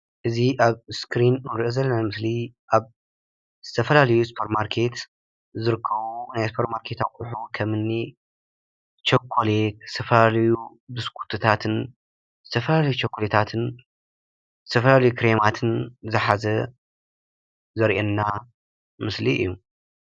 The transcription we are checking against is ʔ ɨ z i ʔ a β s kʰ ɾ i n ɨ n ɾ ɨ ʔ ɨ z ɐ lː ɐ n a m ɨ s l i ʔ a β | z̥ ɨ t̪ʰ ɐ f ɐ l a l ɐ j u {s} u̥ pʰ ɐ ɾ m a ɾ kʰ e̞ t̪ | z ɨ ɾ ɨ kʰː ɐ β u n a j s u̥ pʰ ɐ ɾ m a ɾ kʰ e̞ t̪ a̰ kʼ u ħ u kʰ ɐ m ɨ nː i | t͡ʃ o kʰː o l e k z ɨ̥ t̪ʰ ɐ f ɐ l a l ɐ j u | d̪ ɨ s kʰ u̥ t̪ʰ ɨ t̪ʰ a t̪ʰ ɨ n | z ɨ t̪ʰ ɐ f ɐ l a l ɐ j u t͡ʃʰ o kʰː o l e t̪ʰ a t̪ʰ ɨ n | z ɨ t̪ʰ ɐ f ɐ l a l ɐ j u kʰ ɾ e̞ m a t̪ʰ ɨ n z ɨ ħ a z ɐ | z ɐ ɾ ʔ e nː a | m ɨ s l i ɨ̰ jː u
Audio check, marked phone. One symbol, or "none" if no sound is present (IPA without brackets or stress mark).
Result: s